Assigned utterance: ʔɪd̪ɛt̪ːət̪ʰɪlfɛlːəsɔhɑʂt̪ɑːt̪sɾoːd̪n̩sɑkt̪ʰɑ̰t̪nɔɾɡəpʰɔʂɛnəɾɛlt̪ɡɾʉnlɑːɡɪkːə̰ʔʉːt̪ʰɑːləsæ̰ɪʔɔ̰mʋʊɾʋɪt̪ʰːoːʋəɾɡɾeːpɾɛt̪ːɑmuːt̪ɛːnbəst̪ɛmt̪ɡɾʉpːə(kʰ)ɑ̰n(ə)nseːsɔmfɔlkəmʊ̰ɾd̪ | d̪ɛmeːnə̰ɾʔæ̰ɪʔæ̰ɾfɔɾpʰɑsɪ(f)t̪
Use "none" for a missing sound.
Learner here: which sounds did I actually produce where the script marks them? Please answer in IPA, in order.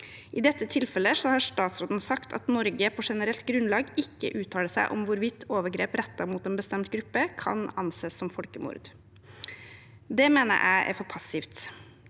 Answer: kʰ, ɑ, f

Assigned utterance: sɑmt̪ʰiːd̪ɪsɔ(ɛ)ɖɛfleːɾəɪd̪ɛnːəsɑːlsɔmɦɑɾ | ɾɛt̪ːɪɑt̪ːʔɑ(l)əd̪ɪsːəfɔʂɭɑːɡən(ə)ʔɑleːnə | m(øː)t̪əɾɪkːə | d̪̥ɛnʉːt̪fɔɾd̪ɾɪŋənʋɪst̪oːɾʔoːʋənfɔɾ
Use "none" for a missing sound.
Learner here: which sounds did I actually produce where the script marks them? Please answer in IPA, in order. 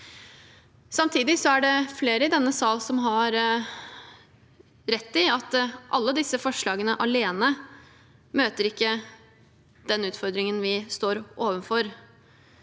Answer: æ, lː, ə, øː

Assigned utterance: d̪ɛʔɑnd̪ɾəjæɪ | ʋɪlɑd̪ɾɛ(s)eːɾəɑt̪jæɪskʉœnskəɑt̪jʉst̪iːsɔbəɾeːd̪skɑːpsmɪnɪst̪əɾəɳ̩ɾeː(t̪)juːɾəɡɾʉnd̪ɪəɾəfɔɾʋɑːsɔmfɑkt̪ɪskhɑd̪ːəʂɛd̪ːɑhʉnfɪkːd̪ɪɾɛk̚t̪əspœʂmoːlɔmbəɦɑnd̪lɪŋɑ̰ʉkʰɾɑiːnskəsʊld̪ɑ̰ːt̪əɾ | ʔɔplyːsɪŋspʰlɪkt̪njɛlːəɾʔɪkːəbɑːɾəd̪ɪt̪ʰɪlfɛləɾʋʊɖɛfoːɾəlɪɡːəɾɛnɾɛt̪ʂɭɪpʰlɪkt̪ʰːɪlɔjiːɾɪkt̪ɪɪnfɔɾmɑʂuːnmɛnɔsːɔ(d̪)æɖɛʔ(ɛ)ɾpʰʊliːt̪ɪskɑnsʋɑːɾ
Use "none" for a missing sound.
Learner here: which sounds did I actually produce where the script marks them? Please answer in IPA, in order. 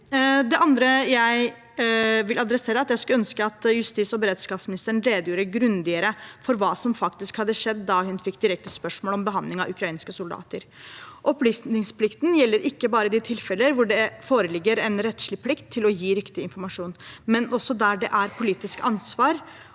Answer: s, d̪, d̪, æ

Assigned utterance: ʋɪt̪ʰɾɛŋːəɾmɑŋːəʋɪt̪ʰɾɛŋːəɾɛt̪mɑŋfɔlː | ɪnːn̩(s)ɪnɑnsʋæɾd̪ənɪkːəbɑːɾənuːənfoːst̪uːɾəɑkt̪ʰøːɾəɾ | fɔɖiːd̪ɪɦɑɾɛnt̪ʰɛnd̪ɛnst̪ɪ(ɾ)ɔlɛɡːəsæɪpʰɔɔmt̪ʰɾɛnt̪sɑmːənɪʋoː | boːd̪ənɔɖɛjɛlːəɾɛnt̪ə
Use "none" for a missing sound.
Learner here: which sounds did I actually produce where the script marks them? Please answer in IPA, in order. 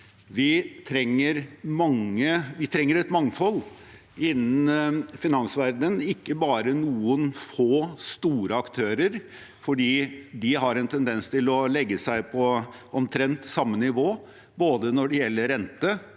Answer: f, l

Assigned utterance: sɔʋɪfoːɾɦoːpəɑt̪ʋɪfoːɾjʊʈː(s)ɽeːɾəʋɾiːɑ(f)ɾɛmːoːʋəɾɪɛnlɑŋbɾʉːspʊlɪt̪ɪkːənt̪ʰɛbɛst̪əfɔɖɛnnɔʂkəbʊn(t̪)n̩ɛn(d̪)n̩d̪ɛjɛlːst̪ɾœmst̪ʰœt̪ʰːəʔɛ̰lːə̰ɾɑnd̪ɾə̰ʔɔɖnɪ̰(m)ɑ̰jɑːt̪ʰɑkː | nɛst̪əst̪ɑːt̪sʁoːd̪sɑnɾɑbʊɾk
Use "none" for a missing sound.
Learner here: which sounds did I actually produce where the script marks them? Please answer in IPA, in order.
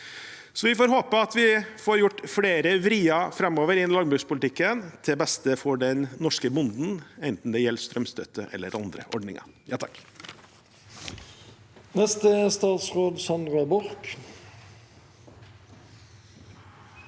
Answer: f, f, d̪, t̪, ŋ

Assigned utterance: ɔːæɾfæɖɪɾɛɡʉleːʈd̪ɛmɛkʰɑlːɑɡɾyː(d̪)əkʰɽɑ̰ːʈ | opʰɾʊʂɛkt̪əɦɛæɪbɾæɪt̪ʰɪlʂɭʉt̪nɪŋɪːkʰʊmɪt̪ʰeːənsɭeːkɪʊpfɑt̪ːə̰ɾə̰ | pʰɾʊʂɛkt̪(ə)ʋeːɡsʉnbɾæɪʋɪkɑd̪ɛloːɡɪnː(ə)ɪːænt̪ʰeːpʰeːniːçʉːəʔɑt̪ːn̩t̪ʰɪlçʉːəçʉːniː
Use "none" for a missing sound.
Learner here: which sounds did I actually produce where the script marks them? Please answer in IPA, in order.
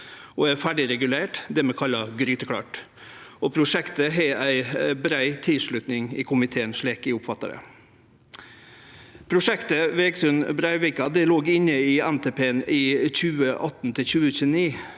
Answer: t̪, ə, ə

